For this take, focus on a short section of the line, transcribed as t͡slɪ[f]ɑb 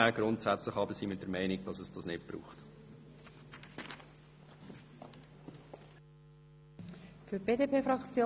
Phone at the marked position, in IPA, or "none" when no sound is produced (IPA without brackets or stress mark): χ